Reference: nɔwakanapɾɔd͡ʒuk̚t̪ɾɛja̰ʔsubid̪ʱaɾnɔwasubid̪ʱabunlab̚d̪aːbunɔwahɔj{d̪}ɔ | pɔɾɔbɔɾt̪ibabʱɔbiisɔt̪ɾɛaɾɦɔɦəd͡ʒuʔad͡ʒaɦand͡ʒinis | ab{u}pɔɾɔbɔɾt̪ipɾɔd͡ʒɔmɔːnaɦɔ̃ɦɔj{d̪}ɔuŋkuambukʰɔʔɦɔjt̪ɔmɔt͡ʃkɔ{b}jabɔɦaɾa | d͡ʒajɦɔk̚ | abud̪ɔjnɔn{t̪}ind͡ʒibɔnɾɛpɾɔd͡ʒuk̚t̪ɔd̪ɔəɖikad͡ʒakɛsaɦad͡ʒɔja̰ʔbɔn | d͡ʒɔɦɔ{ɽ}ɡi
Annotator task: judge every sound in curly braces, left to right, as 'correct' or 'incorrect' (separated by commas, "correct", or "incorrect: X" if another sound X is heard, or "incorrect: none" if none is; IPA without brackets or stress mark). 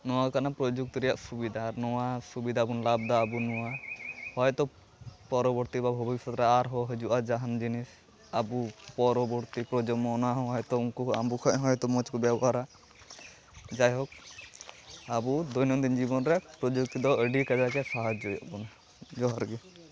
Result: incorrect: t̪, correct, incorrect: t̪, correct, incorrect: d̪, incorrect: ɾ